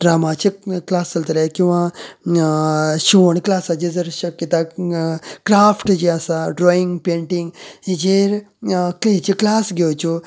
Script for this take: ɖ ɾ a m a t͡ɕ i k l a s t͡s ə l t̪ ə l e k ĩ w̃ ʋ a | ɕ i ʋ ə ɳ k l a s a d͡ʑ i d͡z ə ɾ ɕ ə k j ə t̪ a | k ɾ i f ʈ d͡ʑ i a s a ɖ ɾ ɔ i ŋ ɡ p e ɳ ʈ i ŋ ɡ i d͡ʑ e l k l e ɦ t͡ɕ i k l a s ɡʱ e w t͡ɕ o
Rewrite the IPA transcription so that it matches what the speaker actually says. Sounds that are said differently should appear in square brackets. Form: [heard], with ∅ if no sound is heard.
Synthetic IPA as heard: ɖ ɾ a m a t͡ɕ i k l a s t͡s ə l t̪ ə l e k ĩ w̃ ʋ a | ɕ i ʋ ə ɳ k l a s a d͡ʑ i d͡z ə ɾ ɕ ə k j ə t̪ a | k ɾ [a] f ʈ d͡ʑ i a s a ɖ ɾ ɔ i ŋ ɡ p e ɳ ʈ i ŋ ɡ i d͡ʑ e [ɾ] k l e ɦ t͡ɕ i k l a s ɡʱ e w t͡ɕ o